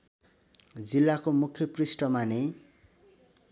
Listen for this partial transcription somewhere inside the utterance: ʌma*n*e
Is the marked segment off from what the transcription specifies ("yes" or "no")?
no